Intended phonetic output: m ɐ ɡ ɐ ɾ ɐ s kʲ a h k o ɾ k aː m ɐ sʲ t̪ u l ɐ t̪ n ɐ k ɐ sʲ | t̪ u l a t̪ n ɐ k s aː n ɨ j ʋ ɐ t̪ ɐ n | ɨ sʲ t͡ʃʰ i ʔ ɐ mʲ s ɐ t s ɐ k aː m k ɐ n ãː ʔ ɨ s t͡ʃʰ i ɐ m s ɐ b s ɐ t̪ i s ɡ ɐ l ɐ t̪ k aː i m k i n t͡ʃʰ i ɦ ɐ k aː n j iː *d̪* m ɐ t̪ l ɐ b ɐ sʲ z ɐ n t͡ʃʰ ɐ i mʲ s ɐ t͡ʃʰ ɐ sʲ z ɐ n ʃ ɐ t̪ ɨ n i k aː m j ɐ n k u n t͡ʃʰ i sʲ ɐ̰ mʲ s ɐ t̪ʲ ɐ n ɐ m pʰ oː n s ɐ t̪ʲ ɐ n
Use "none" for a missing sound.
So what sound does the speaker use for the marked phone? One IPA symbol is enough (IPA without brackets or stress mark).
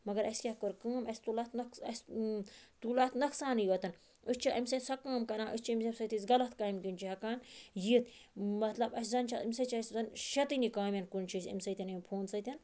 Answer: t̪